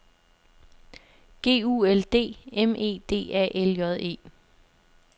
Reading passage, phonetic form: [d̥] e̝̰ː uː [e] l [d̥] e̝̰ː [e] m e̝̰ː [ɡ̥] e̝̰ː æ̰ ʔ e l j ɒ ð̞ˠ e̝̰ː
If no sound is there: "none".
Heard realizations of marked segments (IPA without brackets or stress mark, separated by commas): ɡ̥, e, d̥, e, d̥